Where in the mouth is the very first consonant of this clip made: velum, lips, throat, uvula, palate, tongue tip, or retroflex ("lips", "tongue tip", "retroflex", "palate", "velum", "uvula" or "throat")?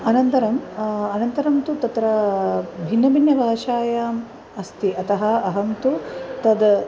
tongue tip